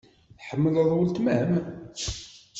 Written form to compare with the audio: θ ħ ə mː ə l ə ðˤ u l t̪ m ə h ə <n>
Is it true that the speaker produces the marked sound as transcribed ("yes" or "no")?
no